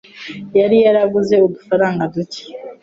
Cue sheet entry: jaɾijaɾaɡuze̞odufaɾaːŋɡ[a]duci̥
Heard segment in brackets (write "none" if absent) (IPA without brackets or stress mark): a